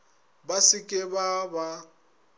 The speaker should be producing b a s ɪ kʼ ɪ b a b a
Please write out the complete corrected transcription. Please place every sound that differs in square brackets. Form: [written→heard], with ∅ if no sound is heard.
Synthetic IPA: b a s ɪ kʼ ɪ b a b a